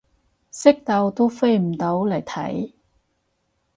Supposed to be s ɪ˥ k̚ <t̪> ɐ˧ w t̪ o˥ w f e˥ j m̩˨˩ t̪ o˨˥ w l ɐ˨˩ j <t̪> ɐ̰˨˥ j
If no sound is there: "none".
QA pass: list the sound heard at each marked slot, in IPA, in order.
t̪, t̪ʰ

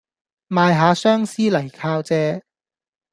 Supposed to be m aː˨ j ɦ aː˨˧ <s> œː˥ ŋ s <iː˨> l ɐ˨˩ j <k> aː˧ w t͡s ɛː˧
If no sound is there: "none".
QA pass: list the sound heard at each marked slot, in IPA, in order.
s, iː˥, kʰ

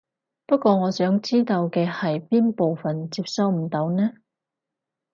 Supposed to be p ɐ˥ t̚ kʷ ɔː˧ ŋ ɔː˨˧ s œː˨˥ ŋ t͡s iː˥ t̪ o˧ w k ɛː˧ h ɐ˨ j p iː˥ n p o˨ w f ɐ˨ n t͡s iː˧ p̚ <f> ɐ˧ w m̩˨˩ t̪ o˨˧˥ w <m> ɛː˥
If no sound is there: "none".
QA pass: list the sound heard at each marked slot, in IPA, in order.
s, n

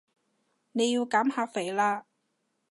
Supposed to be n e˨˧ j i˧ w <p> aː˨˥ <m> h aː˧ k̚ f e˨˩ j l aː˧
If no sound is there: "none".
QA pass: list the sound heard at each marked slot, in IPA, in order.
k, m

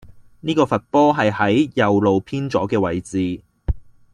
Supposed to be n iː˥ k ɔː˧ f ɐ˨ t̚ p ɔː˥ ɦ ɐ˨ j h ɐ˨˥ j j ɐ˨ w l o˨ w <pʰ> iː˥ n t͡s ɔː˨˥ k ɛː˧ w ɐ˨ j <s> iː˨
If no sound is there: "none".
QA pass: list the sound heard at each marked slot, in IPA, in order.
pʰ, t͡s

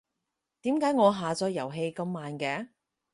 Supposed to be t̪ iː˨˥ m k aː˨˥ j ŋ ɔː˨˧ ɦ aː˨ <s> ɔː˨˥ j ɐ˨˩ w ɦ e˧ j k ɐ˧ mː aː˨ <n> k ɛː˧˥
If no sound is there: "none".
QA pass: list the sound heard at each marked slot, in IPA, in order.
t͡s, n

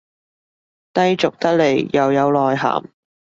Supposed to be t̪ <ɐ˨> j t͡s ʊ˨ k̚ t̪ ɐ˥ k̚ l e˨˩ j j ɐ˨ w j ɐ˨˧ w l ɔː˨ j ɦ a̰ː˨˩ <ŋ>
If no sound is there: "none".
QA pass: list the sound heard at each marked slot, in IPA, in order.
ɐ˥, m

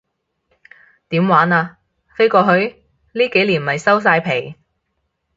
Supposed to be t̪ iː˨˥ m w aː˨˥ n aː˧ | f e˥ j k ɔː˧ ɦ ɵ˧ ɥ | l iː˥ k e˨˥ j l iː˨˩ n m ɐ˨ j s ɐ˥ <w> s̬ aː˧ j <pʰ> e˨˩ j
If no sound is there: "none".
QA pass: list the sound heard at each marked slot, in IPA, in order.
w, pʰ

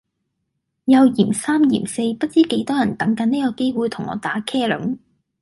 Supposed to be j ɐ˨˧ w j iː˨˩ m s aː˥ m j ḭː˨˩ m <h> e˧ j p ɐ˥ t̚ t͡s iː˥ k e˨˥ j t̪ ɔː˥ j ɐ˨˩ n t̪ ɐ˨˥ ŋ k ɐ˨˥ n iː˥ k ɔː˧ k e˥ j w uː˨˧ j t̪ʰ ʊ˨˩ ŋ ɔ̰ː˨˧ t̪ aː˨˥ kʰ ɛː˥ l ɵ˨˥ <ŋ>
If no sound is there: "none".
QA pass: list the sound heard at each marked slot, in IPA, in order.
s, ŋ

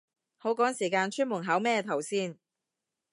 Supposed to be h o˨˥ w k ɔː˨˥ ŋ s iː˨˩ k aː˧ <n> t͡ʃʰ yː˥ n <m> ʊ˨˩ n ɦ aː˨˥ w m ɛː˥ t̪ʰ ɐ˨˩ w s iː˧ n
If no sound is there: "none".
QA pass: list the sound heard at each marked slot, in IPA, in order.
n, m

